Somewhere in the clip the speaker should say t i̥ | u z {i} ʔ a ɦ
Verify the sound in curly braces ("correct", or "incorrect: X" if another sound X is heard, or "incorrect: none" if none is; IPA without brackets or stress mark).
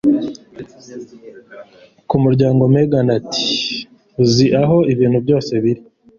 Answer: correct